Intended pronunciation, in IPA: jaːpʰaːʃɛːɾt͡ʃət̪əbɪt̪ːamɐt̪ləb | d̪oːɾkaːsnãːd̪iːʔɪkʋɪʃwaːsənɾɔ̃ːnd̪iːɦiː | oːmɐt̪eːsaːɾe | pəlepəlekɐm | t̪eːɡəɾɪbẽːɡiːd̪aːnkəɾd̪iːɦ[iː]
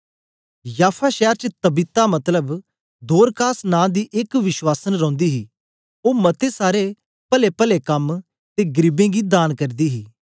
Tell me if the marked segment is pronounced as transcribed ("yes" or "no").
yes